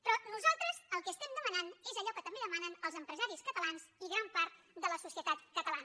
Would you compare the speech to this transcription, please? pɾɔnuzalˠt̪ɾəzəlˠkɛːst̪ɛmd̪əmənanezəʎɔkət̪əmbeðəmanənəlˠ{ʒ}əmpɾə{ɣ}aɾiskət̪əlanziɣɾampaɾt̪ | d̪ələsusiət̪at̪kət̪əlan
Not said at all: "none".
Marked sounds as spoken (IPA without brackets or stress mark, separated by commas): z, z